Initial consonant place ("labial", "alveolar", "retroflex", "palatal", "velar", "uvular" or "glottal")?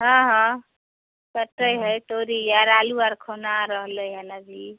glottal